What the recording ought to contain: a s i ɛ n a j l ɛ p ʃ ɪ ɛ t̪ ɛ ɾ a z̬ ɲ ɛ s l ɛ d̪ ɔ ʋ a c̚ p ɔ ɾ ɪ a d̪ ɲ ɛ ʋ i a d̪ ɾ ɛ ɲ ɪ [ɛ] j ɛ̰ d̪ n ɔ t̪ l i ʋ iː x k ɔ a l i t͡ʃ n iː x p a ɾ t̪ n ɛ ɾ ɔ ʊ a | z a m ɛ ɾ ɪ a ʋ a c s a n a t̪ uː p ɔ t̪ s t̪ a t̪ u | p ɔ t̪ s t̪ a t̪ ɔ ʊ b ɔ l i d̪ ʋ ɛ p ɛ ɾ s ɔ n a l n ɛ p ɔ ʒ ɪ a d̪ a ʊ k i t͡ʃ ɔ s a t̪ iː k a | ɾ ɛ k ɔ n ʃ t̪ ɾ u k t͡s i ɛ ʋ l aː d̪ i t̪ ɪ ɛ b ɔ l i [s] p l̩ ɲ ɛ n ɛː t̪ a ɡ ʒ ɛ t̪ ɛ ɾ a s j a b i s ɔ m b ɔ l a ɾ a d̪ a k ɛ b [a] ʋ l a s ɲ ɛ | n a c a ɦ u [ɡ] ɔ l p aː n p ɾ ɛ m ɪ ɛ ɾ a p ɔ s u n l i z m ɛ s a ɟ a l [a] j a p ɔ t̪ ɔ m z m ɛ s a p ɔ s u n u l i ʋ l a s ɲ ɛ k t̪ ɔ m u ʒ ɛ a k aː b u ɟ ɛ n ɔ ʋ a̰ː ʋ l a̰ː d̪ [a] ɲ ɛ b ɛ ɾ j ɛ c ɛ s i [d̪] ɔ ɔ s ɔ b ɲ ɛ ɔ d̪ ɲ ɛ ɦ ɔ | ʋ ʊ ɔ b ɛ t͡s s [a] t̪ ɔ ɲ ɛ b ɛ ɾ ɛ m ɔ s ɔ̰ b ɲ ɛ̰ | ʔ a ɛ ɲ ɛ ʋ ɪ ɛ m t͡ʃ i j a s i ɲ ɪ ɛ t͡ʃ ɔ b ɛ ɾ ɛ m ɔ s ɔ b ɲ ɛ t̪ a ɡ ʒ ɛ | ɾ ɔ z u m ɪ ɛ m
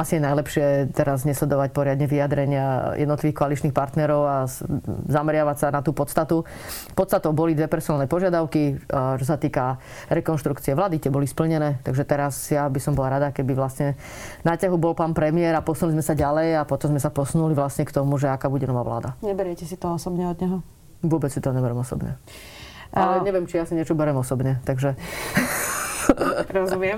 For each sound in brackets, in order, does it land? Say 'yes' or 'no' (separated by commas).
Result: no, yes, no, no, no, yes, no, no